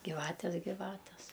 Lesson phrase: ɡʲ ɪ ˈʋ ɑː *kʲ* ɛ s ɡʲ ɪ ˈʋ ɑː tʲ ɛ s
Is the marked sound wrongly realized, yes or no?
yes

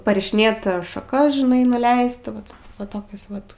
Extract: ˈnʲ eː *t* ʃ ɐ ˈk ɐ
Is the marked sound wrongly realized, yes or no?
no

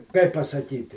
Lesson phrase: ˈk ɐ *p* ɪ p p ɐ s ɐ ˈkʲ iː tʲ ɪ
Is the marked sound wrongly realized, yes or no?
yes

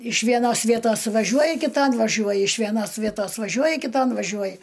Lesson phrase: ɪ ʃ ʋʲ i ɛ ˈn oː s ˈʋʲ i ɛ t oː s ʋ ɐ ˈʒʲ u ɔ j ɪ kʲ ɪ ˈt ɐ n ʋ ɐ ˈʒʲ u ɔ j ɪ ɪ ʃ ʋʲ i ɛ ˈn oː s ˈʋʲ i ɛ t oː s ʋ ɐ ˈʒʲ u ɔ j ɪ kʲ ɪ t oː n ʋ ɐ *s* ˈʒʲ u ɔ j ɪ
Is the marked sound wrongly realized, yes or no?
yes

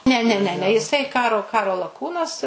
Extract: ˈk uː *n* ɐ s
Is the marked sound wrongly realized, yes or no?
no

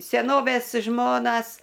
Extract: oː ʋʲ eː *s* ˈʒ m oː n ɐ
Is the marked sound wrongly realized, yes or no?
no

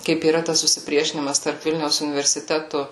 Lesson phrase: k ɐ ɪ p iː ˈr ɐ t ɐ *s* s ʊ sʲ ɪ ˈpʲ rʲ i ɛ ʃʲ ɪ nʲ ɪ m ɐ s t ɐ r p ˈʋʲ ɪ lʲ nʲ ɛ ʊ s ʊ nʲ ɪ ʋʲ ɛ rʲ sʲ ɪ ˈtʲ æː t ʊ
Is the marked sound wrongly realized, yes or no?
no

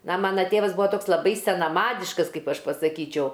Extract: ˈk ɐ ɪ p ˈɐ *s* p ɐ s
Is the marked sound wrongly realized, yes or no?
yes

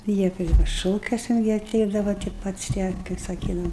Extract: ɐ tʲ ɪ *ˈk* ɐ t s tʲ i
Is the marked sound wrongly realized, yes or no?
yes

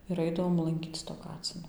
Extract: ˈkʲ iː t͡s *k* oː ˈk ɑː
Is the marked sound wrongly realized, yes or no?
yes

